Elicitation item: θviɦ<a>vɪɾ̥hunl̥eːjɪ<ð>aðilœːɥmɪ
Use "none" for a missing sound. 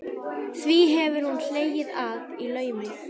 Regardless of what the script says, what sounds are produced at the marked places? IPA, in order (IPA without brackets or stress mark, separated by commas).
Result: ɛ, ð